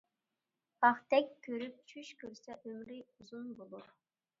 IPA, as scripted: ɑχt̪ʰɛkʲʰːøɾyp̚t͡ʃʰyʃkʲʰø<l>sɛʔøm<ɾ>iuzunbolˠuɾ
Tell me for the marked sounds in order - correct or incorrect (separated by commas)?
incorrect, correct